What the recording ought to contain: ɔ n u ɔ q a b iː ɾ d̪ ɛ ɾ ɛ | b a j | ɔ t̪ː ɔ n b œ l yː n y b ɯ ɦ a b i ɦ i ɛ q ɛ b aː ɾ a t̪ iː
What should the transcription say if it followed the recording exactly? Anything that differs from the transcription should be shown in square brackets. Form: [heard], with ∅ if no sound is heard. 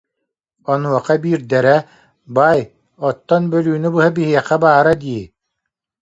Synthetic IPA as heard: ɔ n u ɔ q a b iː ɾ d̪ ɛ ɾ ɛ | b a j | ɔ t̪ː ɔ n b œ l yː n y b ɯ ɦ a b i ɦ i ɛ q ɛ b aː ɾ a [d̪] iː